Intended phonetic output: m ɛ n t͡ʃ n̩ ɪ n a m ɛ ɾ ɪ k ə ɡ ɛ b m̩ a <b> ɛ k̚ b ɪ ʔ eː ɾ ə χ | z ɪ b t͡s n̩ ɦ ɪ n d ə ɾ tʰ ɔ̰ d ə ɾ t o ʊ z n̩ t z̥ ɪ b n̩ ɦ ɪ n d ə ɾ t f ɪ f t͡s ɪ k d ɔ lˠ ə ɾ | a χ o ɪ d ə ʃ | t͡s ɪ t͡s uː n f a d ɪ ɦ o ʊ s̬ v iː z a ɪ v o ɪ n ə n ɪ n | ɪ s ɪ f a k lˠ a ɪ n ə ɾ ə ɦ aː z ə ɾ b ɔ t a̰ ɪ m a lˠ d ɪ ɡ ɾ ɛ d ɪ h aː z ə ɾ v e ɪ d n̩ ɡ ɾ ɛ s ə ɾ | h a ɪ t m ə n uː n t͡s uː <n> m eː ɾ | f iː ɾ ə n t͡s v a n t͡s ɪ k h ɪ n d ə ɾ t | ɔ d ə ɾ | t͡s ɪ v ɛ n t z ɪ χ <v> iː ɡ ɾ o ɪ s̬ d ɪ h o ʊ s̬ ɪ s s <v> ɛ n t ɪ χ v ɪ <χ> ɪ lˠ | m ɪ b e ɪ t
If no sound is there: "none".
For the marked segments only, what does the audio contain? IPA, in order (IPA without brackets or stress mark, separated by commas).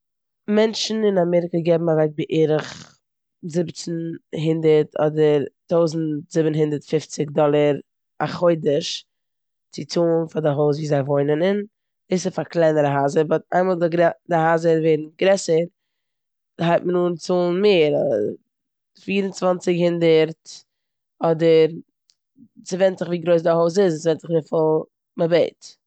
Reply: v, n, v, v, f